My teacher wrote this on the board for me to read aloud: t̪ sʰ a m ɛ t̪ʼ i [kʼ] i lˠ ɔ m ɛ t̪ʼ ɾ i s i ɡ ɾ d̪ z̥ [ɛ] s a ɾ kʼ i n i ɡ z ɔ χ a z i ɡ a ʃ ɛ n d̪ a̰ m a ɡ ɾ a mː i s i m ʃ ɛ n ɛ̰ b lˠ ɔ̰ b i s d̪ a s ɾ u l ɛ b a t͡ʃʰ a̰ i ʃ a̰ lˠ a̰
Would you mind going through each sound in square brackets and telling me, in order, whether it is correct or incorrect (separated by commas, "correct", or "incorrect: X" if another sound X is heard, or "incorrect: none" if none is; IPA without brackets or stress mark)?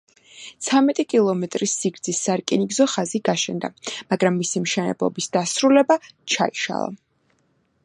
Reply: correct, incorrect: i